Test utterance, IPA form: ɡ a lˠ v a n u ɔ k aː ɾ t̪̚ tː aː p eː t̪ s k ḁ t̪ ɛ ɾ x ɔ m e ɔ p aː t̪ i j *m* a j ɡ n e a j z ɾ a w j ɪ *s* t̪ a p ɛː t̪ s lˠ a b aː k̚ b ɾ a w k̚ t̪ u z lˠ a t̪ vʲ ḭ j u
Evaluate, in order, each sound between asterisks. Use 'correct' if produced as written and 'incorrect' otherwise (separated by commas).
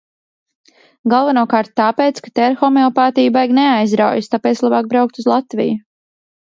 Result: incorrect, correct